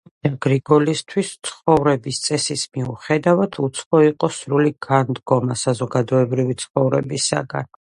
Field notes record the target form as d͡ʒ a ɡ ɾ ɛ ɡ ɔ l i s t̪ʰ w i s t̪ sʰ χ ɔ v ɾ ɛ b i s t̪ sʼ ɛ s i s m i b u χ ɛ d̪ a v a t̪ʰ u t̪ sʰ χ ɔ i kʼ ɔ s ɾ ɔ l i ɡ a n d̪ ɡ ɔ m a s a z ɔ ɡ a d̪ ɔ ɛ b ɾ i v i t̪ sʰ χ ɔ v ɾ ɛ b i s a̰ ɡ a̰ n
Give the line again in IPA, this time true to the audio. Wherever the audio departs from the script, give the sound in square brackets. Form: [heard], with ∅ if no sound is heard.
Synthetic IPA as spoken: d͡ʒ a ɡ ɾ [i] ɡ ɔ l i s t̪ʰ w i s t̪ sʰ χ ɔ v ɾ ɛ b i s t̪ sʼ ɛ s i s m i [∅] u χ ɛ d̪ a v a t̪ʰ u t̪ sʰ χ ɔ i [qʼ] ɔ s ɾ [u] l i ɡ a n d̪ ɡ ɔ m a s a z ɔ ɡ a d̪ ɔ ɛ b ɾ i v i t̪ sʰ χ ɔ v ɾ ɛ b i s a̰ ɡ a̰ n